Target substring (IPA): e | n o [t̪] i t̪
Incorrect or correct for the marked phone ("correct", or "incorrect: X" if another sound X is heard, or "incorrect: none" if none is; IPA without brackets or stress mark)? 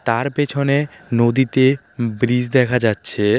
incorrect: d̪